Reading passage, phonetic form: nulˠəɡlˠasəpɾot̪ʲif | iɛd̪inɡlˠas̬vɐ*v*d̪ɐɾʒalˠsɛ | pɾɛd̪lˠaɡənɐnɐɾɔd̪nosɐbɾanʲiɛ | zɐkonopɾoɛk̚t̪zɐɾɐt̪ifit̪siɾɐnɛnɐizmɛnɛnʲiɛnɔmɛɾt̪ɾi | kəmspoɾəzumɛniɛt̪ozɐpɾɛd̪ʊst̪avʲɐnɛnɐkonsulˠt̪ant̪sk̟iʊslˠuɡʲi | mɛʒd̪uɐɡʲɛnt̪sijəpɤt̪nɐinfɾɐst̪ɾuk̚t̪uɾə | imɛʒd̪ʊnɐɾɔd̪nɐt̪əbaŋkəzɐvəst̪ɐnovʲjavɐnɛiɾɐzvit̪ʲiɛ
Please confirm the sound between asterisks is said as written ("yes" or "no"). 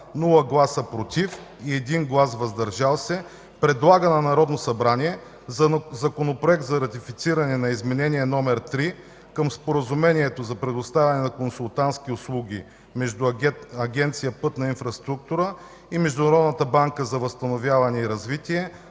no